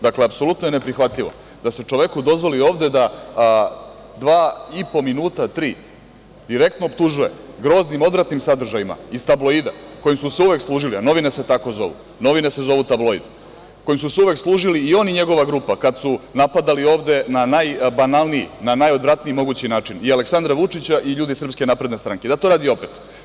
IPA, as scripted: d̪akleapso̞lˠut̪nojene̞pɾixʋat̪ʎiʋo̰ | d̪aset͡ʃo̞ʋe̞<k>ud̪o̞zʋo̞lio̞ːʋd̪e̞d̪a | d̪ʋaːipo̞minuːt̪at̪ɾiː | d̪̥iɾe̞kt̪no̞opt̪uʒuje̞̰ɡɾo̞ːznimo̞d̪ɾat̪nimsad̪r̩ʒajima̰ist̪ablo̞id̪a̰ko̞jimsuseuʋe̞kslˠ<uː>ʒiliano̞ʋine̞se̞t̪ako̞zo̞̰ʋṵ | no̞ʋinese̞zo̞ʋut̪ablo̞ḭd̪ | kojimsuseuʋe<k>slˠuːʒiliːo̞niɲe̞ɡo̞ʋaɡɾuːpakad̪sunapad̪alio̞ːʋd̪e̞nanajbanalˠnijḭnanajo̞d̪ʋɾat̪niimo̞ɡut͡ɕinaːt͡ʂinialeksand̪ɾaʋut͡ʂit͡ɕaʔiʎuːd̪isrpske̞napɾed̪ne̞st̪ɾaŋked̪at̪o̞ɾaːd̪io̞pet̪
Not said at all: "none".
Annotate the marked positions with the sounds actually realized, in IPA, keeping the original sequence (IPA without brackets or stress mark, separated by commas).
k, uː, k